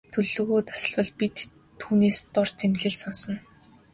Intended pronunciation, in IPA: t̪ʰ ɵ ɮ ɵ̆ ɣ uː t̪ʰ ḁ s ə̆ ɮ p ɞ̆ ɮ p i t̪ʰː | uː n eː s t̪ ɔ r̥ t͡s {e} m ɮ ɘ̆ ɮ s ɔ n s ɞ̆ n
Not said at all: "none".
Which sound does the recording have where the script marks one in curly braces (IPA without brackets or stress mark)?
e